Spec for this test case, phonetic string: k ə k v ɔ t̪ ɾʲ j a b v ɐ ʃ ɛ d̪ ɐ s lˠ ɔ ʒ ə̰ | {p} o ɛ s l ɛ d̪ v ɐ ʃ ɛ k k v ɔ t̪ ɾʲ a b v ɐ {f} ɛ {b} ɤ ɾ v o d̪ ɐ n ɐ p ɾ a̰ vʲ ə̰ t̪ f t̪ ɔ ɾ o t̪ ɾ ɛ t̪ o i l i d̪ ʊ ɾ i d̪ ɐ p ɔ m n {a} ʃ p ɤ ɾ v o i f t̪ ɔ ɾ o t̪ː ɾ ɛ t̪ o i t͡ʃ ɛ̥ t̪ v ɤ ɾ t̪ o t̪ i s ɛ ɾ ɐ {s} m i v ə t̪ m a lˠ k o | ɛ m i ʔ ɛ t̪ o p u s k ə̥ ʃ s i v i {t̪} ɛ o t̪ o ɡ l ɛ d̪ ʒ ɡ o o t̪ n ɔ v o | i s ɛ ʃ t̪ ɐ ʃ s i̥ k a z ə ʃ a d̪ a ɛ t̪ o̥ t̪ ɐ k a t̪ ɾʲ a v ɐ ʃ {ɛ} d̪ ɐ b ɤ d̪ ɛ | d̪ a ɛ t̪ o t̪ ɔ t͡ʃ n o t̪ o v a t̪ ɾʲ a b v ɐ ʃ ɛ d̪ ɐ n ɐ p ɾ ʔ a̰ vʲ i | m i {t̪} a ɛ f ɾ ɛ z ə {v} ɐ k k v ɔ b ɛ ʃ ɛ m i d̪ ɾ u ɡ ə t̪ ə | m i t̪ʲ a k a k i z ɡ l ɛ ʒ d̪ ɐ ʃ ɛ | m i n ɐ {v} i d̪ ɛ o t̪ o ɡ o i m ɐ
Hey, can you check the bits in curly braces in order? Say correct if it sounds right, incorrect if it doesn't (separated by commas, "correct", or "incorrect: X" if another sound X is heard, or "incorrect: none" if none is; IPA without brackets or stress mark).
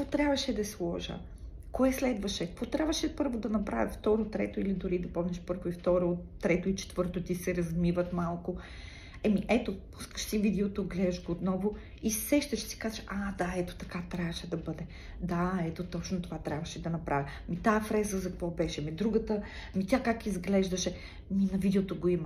incorrect: k, incorrect: ʃ, incorrect: p, incorrect: ɛ, incorrect: z, incorrect: d̪, correct, correct, incorrect: z, correct